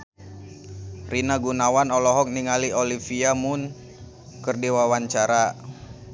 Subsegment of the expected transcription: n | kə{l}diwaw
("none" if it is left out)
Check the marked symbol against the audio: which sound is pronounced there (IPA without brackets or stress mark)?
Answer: r